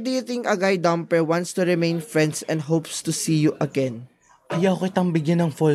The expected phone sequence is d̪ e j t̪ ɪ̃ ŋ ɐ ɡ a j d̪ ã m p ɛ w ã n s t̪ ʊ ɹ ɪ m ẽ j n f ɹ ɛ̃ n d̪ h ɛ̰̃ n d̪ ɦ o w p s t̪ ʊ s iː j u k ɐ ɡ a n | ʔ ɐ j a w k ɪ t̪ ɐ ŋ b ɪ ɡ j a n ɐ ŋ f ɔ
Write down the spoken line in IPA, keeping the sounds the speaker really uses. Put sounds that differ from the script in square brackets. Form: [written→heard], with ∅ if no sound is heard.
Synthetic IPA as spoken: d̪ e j t̪ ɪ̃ ŋ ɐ ɡ a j d̪ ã m p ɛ w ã n s t̪ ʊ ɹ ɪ m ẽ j n f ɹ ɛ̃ n d̪ [h→s] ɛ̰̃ n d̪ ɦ o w p s t̪ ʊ s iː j u [k→ʔ] ɐ ɡ [a→ɛ] n | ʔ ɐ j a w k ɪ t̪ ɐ ŋ b ɪ ɡ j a n ɐ ŋ f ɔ